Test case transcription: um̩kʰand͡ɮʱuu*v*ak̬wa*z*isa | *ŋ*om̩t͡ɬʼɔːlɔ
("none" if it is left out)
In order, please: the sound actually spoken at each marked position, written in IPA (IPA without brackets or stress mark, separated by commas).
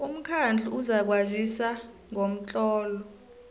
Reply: z, z, ŋ